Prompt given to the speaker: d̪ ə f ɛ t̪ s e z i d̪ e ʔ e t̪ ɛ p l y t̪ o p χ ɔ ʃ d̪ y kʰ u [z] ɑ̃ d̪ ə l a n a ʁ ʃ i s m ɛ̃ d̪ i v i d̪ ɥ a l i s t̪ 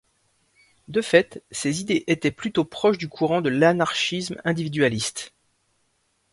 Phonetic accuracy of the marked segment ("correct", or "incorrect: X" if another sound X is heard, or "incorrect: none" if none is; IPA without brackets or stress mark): incorrect: ʁ